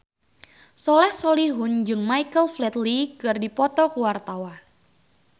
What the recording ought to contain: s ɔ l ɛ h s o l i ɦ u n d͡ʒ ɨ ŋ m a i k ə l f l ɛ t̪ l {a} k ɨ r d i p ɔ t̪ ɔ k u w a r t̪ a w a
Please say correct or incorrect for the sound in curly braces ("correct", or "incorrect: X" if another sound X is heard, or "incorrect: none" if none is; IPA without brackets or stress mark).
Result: incorrect: i